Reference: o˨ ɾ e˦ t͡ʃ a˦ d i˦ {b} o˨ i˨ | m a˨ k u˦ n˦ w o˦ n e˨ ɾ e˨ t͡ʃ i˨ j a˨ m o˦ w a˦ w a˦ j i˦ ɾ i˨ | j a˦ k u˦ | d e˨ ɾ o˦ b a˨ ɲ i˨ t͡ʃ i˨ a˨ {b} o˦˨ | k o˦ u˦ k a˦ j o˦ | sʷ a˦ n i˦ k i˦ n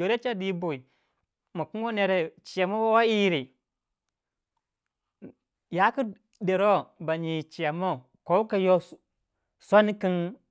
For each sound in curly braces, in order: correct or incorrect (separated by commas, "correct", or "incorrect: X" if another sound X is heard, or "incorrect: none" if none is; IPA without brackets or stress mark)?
correct, incorrect: m